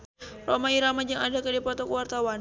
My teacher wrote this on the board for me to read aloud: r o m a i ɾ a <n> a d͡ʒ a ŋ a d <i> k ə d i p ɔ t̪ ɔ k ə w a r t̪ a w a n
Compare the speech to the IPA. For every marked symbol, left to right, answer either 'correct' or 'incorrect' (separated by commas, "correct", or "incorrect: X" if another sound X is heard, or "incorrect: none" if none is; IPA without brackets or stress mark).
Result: incorrect: m, incorrect: a